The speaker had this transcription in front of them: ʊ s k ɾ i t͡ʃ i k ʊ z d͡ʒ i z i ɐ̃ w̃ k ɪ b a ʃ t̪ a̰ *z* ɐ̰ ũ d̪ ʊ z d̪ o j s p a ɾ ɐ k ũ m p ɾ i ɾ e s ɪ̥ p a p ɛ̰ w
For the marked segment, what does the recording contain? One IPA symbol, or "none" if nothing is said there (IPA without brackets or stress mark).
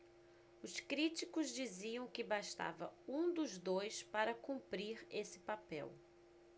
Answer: v